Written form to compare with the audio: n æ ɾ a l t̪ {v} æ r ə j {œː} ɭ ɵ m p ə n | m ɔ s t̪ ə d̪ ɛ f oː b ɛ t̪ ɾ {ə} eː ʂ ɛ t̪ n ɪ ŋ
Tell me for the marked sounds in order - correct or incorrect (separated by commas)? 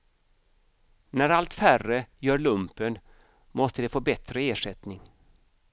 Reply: incorrect, correct, correct